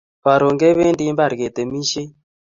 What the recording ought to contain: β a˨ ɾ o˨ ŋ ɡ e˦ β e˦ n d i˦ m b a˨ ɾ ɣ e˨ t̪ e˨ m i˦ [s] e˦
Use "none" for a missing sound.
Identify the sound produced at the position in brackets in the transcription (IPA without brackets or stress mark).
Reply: ʃ